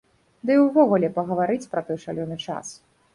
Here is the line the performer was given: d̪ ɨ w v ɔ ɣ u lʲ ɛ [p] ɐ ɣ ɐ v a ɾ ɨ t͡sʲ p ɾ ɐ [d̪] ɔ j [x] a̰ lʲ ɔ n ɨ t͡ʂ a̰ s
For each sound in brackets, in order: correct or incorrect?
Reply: correct, incorrect, incorrect

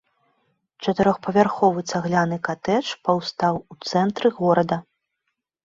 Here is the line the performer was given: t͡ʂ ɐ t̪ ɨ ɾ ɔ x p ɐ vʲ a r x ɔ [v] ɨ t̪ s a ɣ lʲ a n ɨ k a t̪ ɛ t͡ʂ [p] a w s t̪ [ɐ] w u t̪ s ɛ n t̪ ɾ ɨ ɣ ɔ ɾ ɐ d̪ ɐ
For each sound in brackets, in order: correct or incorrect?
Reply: correct, correct, incorrect

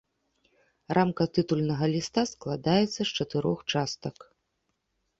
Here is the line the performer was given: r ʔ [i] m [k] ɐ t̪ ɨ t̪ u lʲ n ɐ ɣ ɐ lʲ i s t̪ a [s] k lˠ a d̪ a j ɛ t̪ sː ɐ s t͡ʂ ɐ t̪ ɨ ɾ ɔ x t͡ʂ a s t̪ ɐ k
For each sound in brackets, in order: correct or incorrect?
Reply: incorrect, correct, correct

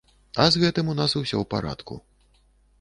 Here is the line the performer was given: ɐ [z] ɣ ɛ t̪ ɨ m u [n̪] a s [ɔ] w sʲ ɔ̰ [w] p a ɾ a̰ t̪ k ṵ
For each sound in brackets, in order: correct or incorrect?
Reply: correct, correct, incorrect, correct

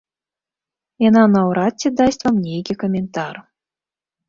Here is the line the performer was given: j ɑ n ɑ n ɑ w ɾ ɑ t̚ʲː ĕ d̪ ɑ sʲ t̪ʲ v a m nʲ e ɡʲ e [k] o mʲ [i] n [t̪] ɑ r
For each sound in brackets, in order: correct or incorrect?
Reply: correct, incorrect, correct

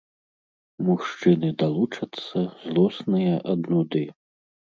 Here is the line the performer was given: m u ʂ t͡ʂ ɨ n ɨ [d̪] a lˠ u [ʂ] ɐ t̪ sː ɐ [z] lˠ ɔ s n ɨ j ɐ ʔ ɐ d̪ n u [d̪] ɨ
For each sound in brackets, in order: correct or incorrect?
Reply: correct, incorrect, correct, correct

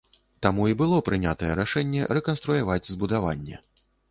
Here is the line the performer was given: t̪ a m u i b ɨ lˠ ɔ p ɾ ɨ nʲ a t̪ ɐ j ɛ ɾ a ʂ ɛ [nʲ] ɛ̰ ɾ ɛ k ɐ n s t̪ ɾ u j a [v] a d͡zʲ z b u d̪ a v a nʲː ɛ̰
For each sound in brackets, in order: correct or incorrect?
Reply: incorrect, correct

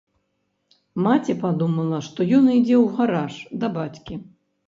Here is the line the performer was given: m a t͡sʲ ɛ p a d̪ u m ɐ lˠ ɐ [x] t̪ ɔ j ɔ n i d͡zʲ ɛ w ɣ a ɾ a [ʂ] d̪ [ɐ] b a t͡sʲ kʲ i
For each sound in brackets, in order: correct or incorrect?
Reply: incorrect, correct, correct

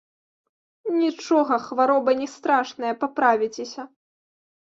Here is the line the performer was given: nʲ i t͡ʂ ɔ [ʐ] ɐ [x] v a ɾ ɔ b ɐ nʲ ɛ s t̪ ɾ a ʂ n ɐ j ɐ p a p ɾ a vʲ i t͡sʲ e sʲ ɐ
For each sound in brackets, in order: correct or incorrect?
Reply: incorrect, correct

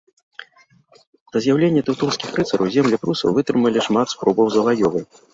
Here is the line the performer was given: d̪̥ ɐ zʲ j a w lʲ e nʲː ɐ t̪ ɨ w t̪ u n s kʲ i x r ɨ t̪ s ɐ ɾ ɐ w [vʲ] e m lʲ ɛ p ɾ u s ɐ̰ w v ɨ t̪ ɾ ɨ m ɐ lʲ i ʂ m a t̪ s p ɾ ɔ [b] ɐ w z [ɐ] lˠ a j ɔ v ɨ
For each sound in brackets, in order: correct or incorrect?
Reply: incorrect, correct, correct

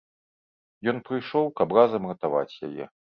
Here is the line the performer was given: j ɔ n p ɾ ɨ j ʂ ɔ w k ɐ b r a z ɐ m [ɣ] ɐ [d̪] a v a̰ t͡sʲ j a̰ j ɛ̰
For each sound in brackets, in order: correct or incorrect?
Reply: correct, incorrect

